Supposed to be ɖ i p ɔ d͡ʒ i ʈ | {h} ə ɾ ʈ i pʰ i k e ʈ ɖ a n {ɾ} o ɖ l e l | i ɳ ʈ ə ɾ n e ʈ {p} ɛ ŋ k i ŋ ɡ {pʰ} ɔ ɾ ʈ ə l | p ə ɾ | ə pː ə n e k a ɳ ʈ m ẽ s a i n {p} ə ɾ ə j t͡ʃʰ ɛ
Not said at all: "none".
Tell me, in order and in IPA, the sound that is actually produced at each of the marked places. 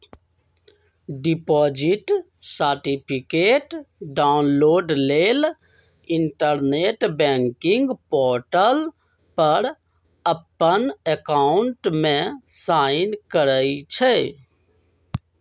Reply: s, l, b, p, k

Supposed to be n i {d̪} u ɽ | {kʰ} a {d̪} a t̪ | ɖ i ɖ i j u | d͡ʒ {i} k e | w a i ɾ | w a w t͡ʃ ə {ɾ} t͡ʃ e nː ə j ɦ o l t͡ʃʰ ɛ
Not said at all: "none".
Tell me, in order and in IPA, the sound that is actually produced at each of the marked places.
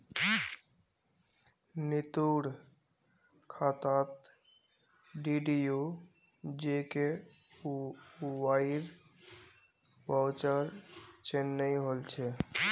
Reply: t̪, kʰ, t̪, e, ɾ

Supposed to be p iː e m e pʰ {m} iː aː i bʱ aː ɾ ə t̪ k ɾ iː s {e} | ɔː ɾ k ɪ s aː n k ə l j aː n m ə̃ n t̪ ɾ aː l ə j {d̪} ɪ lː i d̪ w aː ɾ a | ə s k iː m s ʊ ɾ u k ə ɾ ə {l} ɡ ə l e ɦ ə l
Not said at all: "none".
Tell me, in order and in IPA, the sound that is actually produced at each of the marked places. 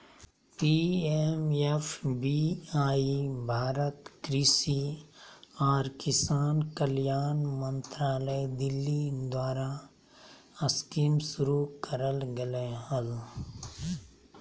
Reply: b, i, d̪, l

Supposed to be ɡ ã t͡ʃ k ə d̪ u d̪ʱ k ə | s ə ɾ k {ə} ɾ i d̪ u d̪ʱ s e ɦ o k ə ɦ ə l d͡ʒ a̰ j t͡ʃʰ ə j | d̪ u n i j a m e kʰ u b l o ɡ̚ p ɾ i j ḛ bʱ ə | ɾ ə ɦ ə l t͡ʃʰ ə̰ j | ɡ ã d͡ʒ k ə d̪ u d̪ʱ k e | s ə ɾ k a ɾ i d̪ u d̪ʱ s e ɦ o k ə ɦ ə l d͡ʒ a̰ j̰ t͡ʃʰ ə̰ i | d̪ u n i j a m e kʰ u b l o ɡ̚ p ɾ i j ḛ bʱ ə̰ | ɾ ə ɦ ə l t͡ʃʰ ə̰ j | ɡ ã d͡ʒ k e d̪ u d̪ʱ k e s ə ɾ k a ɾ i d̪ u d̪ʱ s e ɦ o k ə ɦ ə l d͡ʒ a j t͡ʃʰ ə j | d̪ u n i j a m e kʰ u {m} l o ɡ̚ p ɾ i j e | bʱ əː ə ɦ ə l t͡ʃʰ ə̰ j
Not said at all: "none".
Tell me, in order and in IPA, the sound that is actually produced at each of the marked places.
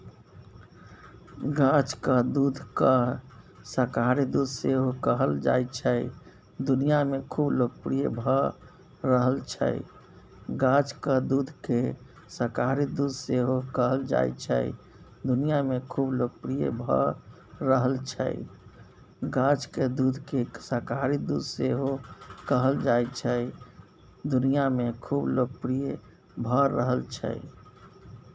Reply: a, b

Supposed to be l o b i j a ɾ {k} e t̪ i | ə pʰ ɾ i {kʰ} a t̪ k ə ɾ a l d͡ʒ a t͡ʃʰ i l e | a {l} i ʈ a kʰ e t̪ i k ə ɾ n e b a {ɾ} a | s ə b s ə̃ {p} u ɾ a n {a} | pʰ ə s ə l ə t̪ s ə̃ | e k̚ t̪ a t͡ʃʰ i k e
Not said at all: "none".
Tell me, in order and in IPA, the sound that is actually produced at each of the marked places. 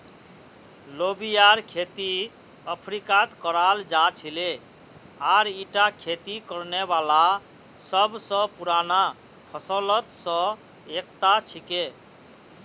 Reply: kʰ, k, ɾ, l, p, a

